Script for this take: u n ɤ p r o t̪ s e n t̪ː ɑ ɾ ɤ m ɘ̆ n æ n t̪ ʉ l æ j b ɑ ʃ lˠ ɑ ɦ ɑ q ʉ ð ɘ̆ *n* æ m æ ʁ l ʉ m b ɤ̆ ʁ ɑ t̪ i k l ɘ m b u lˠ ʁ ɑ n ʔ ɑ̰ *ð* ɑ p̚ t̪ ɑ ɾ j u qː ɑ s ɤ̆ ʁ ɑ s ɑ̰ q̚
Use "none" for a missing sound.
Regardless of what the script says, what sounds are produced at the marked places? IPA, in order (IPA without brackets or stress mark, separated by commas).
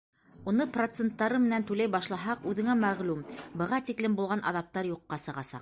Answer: ŋ, ð